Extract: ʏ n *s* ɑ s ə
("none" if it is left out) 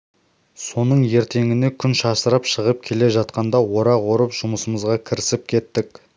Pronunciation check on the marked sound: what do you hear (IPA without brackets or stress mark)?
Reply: ʃ